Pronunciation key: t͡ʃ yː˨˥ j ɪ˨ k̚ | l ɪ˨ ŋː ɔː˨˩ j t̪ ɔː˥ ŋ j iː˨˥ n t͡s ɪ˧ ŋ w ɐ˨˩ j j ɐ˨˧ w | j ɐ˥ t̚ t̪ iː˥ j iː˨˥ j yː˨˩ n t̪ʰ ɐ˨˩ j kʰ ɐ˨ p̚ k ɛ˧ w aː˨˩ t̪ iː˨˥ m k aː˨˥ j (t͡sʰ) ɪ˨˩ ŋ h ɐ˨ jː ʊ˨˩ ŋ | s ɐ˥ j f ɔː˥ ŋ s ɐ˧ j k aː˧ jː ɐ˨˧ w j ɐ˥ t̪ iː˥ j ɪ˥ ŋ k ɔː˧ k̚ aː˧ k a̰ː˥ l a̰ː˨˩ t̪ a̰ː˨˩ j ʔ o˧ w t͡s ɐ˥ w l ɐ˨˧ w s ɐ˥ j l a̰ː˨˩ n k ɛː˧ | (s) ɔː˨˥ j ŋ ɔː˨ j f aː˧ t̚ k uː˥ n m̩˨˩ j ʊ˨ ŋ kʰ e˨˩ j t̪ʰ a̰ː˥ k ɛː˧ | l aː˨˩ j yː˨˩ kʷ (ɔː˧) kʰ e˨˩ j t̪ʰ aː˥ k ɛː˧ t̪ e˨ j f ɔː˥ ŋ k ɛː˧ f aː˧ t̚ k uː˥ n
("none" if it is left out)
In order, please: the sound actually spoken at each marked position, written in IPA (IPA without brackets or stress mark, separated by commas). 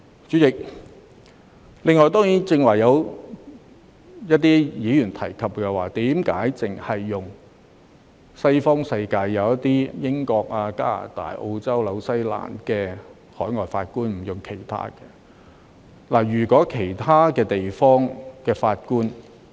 t͡s, h, ɔː˨˥